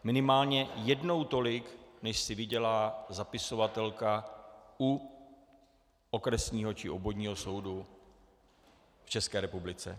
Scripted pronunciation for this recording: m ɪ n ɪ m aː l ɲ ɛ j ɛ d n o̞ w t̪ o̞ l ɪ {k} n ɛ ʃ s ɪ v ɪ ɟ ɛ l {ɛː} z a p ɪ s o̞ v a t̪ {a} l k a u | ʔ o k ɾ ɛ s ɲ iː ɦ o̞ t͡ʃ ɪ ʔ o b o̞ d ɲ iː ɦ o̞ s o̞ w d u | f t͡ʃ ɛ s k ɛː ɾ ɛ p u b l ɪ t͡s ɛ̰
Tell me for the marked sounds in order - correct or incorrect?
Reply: correct, incorrect, incorrect

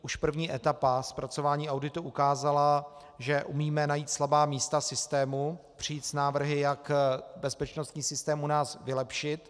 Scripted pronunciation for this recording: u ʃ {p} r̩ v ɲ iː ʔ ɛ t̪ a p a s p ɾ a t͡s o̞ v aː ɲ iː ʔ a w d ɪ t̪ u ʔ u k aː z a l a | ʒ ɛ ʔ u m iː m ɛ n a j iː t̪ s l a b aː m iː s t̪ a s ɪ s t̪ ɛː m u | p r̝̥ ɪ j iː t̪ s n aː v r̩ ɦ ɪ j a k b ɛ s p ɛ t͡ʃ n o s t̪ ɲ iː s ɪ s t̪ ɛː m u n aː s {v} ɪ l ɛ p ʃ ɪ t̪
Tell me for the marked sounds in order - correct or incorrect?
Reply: correct, correct

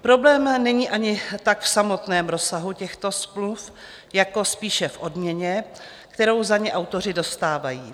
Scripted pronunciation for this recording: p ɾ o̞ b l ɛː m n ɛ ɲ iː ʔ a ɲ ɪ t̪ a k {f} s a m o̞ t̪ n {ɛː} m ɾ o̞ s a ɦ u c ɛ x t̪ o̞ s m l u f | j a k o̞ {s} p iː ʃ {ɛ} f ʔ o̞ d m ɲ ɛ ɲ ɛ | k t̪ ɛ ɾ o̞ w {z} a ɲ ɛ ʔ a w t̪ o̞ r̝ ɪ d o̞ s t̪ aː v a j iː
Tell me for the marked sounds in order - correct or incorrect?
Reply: correct, correct, correct, correct, correct

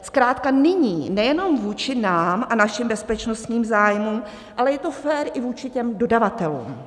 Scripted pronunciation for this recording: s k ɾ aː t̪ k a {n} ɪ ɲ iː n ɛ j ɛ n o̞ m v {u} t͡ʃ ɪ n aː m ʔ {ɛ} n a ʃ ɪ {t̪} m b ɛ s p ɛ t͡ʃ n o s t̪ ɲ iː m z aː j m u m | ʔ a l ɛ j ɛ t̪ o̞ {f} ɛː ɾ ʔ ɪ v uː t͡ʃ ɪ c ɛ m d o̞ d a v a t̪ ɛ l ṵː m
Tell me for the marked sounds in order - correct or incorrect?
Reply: correct, incorrect, incorrect, incorrect, correct

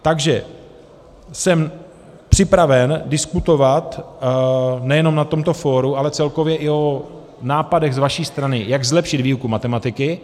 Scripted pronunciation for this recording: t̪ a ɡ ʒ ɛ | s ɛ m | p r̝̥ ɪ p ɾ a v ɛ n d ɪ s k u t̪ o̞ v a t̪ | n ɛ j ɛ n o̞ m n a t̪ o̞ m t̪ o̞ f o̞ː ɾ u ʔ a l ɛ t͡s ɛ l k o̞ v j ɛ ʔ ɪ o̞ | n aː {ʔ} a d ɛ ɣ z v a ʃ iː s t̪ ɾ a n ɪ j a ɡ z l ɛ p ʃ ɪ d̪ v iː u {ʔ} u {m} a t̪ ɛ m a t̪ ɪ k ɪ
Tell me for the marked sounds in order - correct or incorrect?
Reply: incorrect, incorrect, correct

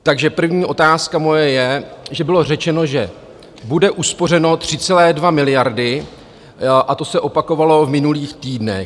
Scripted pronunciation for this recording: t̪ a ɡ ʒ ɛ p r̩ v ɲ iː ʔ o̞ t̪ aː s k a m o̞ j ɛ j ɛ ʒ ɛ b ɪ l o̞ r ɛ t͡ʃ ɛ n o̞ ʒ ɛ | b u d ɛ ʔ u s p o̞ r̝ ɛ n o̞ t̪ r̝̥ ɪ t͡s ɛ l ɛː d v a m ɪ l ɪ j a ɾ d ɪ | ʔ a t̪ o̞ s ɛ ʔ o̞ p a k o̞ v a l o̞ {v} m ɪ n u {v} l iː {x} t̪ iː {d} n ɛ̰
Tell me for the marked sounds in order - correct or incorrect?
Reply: correct, incorrect, correct, correct

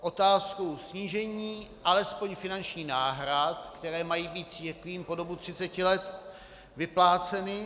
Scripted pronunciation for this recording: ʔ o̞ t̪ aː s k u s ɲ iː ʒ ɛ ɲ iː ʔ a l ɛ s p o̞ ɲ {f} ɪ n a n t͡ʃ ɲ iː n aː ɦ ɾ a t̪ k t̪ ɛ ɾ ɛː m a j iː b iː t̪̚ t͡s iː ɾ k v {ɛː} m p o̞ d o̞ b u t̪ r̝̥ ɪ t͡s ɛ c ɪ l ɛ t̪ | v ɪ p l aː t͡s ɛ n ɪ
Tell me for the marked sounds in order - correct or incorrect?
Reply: correct, incorrect

